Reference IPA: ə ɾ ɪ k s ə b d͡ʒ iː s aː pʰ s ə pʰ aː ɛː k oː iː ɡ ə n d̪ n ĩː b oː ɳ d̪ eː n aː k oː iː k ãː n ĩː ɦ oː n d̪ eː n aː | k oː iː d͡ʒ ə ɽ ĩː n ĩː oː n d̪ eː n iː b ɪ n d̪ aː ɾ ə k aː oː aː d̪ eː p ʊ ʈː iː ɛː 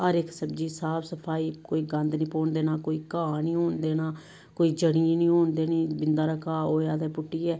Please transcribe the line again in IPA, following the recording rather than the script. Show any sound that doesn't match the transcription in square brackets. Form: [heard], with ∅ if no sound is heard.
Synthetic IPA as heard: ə ɾ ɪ k s ə b d͡ʒ iː s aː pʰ s ə pʰ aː [iː] k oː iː ɡ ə n d̪ n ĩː [p] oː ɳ d̪ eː n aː k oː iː k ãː n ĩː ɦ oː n d̪ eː n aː | k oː iː d͡ʒ ə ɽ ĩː n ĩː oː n d̪ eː n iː b ɪ n d̪ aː ɾ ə k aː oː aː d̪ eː p ʊ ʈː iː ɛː